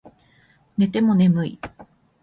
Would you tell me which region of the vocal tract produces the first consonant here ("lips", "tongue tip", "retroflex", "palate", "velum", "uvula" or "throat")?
tongue tip